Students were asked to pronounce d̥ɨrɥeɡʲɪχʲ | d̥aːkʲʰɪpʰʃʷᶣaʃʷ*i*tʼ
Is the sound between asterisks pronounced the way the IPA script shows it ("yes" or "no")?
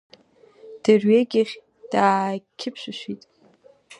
yes